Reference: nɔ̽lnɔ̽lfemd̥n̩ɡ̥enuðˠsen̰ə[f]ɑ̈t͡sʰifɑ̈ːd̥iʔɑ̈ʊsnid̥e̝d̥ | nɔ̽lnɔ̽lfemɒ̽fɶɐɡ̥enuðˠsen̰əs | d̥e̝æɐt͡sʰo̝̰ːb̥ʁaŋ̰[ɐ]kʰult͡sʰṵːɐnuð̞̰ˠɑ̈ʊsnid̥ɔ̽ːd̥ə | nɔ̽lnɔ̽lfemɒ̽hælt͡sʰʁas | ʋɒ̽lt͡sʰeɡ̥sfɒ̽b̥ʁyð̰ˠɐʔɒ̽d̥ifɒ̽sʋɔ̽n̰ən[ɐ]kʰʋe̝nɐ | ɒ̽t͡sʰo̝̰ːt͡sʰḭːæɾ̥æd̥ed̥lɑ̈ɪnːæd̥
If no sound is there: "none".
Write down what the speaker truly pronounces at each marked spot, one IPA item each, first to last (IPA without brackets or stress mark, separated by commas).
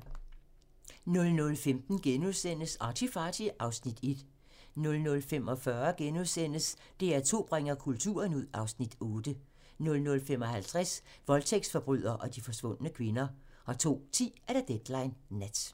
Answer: s, ɐ, ə